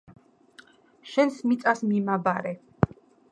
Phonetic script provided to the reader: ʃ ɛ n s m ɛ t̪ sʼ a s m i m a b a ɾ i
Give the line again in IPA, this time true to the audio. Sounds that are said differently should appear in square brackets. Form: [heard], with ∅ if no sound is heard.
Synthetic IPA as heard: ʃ ɛ n s m [i] t̪ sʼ a s m i m a b a ɾ [ɛ]